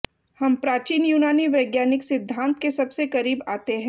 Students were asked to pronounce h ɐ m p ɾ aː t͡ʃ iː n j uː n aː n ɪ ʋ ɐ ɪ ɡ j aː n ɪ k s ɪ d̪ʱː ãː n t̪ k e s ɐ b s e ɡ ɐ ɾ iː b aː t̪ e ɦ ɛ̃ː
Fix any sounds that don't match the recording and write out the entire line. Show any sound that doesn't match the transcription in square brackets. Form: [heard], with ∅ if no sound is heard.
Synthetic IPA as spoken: h ɐ m p ɾ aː t͡ʃ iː n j uː n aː n [i] ʋ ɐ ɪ ɡ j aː n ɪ k s ɪ d̪ʱː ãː n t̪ k e s ɐ b s e [k] ɐ ɾ iː b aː t̪ e ɦ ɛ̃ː